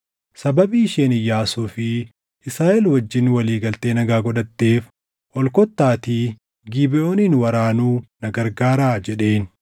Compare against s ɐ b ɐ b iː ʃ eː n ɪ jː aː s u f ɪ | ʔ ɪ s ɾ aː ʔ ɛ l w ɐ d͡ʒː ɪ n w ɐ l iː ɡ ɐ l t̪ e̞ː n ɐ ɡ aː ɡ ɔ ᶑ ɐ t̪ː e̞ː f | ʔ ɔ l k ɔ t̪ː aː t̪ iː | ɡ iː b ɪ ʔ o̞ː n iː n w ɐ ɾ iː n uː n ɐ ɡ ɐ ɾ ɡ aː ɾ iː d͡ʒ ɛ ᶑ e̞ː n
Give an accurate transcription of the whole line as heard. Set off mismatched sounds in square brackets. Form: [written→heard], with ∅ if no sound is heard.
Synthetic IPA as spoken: s ɐ b ɐ b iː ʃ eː n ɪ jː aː s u f ɪ | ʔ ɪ s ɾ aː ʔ ɛ l w ɐ d͡ʒː ɪ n w ɐ l iː ɡ ɐ l t̪ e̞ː n ɐ ɡ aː ɡ ɔ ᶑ ɐ t̪ː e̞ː f | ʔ ɔ l k ɔ t̪ː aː t̪ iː | ɡ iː b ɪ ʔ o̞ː n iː n w ɐ ɾ [iː→aː] n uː n ɐ ɡ ɐ ɾ ɡ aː ɾ [iː→aː] d͡ʒ ɛ ᶑ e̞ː n

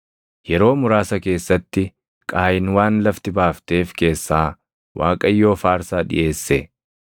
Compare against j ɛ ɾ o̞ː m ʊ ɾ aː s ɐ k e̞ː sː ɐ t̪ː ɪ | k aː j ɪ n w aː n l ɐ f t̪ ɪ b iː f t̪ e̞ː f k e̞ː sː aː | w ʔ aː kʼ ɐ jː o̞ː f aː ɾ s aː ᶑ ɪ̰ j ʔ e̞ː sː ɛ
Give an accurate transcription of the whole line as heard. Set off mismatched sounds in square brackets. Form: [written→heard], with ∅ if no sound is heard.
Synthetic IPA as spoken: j ɛ ɾ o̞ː m ʊ ɾ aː s ɐ k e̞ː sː ɐ t̪ː ɪ | [k→kʼ] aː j ɪ n w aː n l ɐ f t̪ ɪ b [iː→aː] f t̪ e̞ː f k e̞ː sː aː | w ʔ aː kʼ ɐ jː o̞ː f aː ɾ s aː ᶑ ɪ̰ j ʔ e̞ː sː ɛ

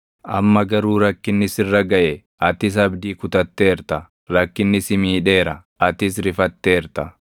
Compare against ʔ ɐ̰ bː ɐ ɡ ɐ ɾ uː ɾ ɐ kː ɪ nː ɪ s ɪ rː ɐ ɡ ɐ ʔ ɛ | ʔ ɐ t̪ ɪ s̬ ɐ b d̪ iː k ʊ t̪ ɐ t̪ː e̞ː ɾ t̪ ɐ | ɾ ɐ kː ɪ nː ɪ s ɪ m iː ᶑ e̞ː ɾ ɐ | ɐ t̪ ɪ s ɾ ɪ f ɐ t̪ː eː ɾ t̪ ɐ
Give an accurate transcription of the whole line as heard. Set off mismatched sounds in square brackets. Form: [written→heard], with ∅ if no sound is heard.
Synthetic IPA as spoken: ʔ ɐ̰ [bː→mː] ɐ ɡ ɐ ɾ uː ɾ ɐ kː ɪ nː ɪ s ɪ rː ɐ ɡ ɐ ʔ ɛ | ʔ ɐ t̪ ɪ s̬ ɐ b d̪ iː k ʊ t̪ ɐ t̪ː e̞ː ɾ t̪ ɐ | ɾ ɐ kː ɪ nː ɪ s ɪ m iː ᶑ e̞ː ɾ ɐ | ɐ t̪ ɪ s ɾ ɪ f ɐ t̪ː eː ɾ t̪ ɐ

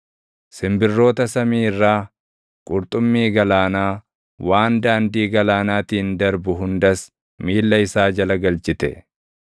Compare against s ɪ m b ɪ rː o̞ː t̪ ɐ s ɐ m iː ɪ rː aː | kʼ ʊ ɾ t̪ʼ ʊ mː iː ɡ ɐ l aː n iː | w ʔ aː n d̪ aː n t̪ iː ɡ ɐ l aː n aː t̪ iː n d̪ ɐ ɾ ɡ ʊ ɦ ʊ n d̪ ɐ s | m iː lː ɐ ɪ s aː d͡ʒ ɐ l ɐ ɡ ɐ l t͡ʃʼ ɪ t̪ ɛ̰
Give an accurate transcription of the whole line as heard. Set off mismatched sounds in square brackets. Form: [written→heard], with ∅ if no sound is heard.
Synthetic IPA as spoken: s ɪ m b ɪ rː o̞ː t̪ ɐ s ɐ m iː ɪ rː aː | kʼ ʊ ɾ t̪ʼ ʊ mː iː ɡ ɐ l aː n [iː→aː] | w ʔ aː n d̪ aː n [t̪→d̪] iː ɡ ɐ l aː n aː t̪ iː n d̪ ɐ ɾ [ɡ→b] ʊ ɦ ʊ n d̪ ɐ s | m iː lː ɐ ɪ s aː d͡ʒ ɐ l ɐ ɡ ɐ l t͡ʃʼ ɪ t̪ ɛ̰

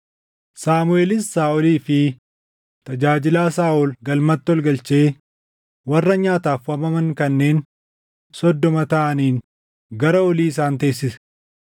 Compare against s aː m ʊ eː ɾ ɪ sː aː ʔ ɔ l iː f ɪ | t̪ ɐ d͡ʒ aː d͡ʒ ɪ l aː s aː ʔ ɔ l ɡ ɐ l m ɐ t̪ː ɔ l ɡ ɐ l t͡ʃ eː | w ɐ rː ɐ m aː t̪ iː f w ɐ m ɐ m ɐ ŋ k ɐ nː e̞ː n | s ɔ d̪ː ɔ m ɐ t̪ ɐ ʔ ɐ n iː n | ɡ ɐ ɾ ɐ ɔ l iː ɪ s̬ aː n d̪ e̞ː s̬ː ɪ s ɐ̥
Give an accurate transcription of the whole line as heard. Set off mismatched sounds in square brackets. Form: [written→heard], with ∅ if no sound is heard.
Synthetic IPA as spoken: s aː m ʊ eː [ɾ→l] ɪ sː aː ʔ ɔ l iː f ɪ | t̪ ɐ d͡ʒ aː d͡ʒ ɪ l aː s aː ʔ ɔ l ɡ ɐ l m ɐ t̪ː ɔ l ɡ ɐ l t͡ʃ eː | w ɐ rː ɐ [m→ɲ] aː t̪ [iː→aː] f w ɐ m ɐ m ɐ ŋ k ɐ nː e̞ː n | s ɔ d̪ː ɔ m ɐ t̪ ɐ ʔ ɐ n iː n | ɡ ɐ ɾ ɐ ɔ l iː ɪ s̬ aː n [d̪→t̪] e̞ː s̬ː ɪ s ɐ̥

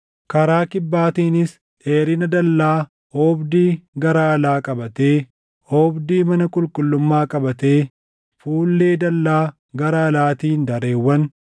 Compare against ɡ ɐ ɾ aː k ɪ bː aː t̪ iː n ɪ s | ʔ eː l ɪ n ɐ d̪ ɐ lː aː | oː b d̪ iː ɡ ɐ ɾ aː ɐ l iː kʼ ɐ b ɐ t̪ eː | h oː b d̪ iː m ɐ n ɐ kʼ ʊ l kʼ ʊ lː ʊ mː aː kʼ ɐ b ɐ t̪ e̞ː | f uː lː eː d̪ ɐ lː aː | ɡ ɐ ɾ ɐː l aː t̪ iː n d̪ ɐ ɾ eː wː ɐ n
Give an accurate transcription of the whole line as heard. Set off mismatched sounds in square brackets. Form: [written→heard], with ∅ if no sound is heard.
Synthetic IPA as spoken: [ɡ→k] ɐ ɾ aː k ɪ bː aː t̪ iː n ɪ s | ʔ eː [l→ɾ] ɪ n ɐ d̪ ɐ lː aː | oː b d̪ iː ɡ ɐ ɾ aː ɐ l [iː→aː] kʼ ɐ b ɐ t̪ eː | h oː b d̪ iː m ɐ n ɐ kʼ ʊ l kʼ ʊ lː ʊ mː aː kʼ ɐ b ɐ t̪ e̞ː | f uː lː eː d̪ ɐ lː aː | ɡ ɐ ɾ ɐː l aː t̪ iː n d̪ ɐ ɾ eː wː ɐ n

